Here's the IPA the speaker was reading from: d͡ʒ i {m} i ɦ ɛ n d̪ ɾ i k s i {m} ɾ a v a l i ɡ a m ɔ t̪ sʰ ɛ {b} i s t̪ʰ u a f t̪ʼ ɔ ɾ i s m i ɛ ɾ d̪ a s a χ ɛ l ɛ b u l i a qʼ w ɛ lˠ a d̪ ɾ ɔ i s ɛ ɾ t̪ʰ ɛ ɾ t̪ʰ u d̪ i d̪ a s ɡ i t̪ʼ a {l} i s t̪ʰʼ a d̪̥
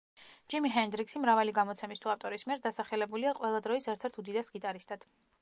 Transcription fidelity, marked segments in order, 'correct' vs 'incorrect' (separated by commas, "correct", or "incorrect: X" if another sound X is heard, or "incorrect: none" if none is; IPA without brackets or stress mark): correct, correct, incorrect: m, incorrect: ɾ